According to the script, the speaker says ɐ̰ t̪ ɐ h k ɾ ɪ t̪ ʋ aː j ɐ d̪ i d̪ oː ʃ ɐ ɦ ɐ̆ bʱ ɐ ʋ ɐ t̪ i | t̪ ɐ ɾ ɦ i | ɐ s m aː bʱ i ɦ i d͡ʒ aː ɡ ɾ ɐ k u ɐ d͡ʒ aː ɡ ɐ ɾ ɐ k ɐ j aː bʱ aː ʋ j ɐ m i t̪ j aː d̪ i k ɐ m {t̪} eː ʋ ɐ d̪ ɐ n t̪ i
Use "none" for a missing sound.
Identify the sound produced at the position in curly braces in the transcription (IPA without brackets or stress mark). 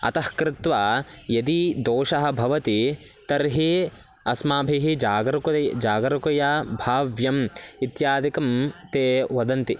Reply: t̪